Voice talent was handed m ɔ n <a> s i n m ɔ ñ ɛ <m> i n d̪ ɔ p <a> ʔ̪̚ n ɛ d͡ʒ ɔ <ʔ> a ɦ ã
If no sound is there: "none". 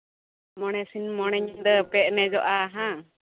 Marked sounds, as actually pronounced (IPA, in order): ɛ, ɲ, ɛ, ʔ

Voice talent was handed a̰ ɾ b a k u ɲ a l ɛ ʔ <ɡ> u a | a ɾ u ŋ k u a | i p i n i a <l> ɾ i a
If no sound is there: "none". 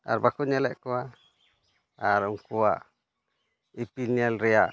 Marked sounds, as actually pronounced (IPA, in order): k, l

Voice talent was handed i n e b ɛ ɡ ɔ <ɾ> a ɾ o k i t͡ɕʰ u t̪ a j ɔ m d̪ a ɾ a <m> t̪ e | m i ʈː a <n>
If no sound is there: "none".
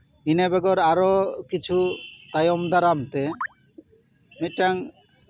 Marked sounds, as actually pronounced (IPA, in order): ɾ, m, ŋ

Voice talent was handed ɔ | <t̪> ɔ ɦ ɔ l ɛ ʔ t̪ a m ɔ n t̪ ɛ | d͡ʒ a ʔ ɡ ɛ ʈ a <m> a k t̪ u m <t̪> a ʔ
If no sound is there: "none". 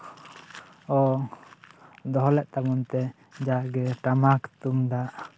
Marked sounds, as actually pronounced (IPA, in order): d̪, m, d̪

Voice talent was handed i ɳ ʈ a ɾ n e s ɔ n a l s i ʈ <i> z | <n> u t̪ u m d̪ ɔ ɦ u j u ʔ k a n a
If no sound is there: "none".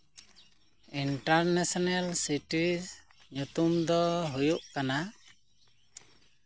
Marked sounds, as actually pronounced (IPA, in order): i, ɲ

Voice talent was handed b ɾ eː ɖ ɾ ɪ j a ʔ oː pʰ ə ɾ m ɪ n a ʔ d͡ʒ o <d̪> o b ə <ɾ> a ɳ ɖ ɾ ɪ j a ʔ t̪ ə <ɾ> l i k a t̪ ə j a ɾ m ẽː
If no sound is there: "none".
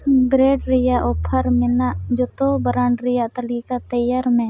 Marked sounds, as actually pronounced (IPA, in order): t̪, ɾ, none

